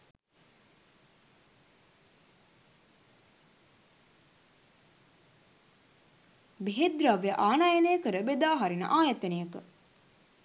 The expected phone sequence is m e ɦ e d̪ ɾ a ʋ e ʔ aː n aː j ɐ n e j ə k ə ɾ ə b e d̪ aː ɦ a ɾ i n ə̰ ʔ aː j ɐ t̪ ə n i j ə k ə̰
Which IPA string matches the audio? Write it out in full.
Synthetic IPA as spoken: b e ɦ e d̪ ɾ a ʋ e ʔ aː n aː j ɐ n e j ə k ə ɾ ə b e d̪ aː ɦ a ɾ i n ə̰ ʔ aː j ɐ t̪ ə n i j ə k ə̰